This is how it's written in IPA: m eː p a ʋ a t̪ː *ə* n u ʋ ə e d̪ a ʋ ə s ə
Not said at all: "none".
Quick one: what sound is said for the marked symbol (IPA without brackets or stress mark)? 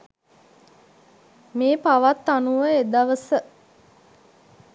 a